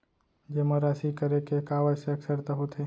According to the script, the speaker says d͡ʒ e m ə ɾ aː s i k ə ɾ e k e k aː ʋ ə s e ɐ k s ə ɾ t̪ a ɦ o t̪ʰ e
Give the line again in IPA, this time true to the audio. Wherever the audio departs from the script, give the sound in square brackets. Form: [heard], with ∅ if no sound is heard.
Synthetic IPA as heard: d͡ʒ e m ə ɾ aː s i k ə ɾ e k e k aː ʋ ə s e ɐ k s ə ɾ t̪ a ɦ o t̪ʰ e